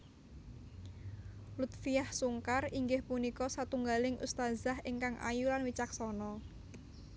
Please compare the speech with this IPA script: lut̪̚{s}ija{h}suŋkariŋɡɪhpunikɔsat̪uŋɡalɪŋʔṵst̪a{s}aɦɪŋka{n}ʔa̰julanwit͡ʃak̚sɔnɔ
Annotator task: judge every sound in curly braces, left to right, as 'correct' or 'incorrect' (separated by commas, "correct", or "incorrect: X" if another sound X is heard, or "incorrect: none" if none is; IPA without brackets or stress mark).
incorrect: f, correct, incorrect: z, incorrect: ŋ